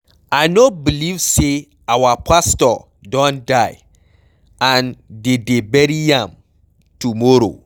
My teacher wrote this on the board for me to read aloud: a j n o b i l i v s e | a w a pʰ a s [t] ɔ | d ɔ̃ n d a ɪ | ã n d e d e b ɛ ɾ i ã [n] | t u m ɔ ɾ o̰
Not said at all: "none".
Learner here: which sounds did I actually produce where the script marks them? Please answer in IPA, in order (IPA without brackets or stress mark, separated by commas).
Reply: t, m